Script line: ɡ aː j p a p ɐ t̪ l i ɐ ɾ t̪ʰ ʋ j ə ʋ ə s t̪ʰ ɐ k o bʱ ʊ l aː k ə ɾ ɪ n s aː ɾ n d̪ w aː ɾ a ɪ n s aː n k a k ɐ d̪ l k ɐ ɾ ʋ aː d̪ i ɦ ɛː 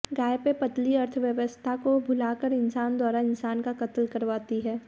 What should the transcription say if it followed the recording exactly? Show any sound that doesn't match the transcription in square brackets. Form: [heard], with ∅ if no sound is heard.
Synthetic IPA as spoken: ɡ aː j p [e] p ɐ t̪ l i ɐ ɾ t̪ʰ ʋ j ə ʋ ə s t̪ʰ [a] k o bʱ ʊ l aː k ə ɾ ɪ n s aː [∅] n d̪ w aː ɾ a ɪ n s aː n k a k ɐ [t̪] l k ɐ ɾ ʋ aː [t̪] i ɦ ɛː